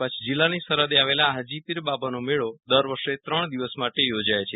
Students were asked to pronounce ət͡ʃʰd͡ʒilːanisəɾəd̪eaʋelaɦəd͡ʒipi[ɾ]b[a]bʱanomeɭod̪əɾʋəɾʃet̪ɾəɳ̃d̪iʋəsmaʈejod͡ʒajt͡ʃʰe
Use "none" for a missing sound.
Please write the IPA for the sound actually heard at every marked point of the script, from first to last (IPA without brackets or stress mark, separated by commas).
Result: ɾ, a